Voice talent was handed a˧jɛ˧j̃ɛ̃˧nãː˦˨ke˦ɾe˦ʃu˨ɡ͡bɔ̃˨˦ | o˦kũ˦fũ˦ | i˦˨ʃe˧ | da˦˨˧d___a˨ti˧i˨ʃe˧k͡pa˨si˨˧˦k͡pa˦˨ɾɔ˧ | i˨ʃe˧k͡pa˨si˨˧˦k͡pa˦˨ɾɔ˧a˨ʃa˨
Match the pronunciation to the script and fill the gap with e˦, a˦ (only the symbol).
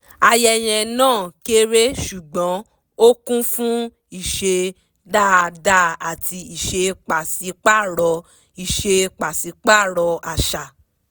a˦